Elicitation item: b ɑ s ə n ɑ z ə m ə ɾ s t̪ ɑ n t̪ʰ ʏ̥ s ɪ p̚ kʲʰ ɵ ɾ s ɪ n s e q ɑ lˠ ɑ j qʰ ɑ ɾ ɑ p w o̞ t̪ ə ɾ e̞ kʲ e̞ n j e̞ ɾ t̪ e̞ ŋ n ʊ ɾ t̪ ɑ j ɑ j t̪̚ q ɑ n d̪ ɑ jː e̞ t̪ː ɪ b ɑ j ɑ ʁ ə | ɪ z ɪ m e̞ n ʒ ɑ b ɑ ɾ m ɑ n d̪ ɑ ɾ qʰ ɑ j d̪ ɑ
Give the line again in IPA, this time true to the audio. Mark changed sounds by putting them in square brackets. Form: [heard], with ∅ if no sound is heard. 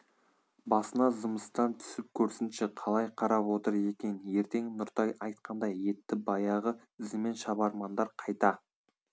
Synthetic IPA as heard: b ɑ s ə n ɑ z ə m ə [∅] s t̪ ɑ n t̪ʰ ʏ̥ s ɪ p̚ kʲʰ ɵ ɾ s ɪ n [ʃ] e [qʰ] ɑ lˠ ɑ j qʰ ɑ ɾ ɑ p w o̞ t̪ ə ɾ e̞ kʲ e̞ n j e̞ ɾ t̪ e̞ ŋ n ʊ ɾ t̪ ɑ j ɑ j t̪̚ q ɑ n d̪ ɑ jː e̞ t̪ː ɪ b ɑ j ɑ ʁ ə | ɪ z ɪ m e̞ n [ʃ] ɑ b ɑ ɾ m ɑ n d̪ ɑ ɾ qʰ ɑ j [t̪] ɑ